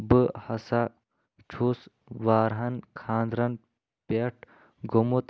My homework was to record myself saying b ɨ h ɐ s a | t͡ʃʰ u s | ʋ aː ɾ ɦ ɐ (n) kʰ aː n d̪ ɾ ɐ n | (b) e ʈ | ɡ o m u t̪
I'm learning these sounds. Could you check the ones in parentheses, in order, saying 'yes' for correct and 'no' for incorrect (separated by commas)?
yes, no